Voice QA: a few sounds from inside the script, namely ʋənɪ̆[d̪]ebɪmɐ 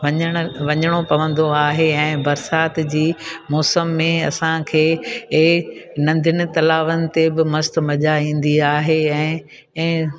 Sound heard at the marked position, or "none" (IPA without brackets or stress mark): t̪